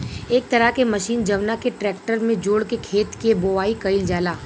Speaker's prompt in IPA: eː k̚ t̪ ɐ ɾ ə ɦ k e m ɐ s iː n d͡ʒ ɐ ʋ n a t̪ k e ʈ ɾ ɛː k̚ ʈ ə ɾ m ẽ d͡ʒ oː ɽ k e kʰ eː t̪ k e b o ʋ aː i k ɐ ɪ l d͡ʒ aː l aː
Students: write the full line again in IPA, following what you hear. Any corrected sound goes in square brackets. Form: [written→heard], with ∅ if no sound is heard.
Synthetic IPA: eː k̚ t̪ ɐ ɾ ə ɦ k e m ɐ [s→ʃ] iː n d͡ʒ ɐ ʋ n a [t̪→∅] k e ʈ ɾ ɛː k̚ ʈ ə ɾ m ẽ d͡ʒ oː ɽ k e kʰ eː t̪ k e b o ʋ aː i k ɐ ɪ l d͡ʒ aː l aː

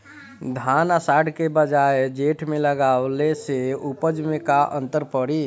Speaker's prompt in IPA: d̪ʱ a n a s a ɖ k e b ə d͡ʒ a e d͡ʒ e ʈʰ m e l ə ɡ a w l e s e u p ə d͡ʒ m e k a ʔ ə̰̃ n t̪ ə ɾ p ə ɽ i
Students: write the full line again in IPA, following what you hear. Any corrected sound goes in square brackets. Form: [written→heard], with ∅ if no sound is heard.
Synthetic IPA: d̪ʱ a n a s a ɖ k e b ə d͡ʒ a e d͡ʒ e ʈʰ m e l ə ɡ a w l e s e u p ə d͡ʒ m e k a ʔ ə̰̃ n t̪ ə ɾ p ə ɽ i

